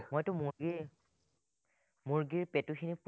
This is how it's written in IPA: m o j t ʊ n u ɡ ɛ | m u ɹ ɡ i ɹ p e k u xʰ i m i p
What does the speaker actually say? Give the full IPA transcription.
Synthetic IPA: m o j t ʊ m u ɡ i | m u ɹ ɡ i ɹ p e t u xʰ i n i p